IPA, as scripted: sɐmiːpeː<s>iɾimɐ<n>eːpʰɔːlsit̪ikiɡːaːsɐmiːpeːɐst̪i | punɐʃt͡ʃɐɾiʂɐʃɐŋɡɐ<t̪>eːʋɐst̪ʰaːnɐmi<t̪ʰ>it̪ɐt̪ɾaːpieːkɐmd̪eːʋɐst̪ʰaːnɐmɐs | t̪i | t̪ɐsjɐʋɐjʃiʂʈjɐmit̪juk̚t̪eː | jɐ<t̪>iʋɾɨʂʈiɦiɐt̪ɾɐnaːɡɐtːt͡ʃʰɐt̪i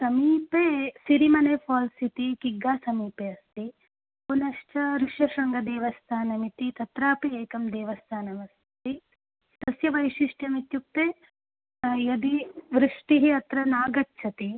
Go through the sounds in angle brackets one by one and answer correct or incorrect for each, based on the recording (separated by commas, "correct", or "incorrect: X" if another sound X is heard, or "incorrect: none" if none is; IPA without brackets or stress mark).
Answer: correct, correct, incorrect: d̪, incorrect: t̪, incorrect: d̪